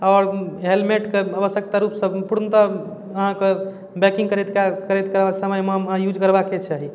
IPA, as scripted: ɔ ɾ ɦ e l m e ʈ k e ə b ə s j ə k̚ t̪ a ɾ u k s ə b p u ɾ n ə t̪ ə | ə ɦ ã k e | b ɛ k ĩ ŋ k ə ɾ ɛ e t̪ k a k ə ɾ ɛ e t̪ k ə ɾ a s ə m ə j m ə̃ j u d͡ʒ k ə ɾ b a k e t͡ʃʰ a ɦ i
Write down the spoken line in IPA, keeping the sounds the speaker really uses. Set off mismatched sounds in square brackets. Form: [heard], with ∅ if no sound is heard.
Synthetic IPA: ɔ ɾ ɦ e l m e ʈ k e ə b ə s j ə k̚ t̪ a ɾ u [p] s ə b p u ɾ n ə t̪ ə | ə ɦ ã k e | b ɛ k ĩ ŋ k ə ɾ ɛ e t̪ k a k ə ɾ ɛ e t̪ k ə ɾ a s ə m ə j m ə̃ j u d͡ʒ k ə ɾ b a k e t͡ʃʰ a ɦ i